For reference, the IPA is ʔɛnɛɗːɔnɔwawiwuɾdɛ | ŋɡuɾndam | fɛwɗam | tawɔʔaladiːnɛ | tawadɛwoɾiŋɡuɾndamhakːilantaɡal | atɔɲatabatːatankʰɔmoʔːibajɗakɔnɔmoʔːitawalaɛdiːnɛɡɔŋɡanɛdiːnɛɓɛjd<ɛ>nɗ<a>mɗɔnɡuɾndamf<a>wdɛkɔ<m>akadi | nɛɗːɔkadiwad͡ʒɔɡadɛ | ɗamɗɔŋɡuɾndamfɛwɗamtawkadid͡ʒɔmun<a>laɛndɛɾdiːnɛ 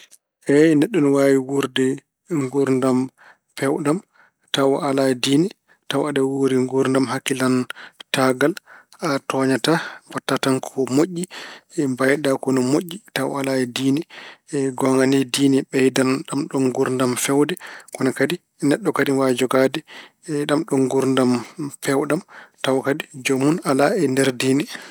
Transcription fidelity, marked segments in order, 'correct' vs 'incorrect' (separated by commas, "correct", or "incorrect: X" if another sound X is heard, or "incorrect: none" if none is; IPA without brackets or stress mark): incorrect: a, correct, incorrect: ɛ, incorrect: n, correct